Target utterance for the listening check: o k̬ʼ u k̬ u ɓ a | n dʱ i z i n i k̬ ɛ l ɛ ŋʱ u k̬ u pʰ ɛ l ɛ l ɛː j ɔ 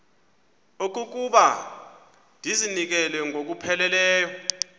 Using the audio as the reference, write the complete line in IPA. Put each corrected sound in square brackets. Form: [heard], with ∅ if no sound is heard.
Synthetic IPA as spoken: o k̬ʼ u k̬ u ɓ a | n dʱ i z i n i k̬ ɛ l ɛ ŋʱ [o] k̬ u pʰ ɛ l ɛ l ɛː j ɔ